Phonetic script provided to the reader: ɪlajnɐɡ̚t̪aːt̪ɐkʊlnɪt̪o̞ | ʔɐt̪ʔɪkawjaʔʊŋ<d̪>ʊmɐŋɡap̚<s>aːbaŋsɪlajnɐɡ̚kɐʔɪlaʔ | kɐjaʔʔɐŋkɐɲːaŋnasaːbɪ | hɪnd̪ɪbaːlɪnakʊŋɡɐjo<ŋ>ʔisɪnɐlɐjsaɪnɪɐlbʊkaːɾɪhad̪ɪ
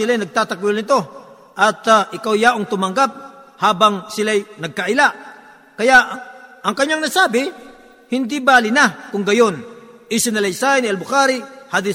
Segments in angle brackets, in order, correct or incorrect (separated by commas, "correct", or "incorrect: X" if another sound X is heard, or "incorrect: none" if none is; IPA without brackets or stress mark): incorrect: t̪, incorrect: h, incorrect: n